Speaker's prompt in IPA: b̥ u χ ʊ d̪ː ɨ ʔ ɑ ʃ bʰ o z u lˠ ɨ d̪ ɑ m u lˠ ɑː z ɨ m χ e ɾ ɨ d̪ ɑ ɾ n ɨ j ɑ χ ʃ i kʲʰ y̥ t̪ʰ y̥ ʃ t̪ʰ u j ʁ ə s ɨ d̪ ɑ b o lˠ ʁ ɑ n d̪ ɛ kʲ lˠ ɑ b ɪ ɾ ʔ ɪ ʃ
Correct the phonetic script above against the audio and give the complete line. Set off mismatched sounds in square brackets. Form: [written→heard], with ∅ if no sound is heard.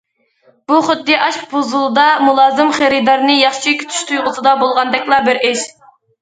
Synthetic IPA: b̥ u χ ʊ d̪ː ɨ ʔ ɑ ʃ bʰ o z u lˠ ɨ d̪ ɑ m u lˠ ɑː z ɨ m χ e ɾ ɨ d̪ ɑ ɾ n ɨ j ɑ χ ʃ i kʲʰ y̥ t̪ʰ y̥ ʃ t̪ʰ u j ʁ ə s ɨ d̪ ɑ b o lˠ ʁ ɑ n d̪ ɛ kʲ lˠ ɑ b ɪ ɾ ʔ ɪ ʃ